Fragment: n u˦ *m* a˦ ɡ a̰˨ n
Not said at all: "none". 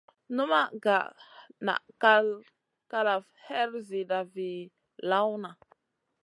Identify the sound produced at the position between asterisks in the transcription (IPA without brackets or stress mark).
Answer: m